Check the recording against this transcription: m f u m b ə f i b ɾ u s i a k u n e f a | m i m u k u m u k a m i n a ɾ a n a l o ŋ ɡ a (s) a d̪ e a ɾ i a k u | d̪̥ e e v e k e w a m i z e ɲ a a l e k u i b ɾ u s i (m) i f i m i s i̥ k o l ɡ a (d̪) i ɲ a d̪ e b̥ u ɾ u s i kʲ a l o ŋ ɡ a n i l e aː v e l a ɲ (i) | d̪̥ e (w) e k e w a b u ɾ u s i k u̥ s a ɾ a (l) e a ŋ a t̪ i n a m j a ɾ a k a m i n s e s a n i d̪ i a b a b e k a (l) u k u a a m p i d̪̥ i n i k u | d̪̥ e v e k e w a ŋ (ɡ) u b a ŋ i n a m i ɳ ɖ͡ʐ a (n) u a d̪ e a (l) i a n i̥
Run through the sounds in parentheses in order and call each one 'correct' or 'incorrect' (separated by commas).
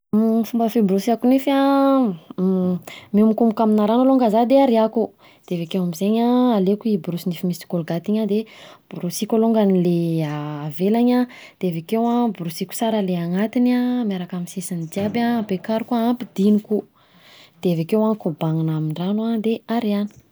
incorrect, incorrect, incorrect, incorrect, incorrect, correct, incorrect, incorrect, correct, incorrect